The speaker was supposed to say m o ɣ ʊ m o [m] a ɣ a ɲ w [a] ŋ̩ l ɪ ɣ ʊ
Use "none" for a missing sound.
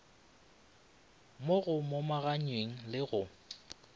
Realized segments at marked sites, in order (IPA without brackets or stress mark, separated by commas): m, e